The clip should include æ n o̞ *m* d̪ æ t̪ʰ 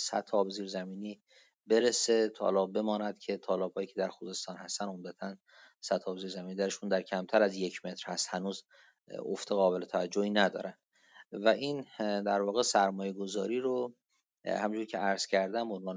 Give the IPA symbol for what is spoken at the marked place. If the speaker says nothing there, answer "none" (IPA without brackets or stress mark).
m